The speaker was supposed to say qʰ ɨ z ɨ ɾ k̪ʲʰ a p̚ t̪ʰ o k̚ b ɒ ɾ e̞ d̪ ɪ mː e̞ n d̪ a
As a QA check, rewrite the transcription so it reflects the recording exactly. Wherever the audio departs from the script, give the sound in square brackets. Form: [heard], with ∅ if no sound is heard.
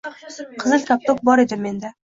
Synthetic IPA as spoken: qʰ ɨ z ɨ [l] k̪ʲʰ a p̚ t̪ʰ o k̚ b ɒ ɾ e̞ d̪ ɪ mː e̞ n d̪ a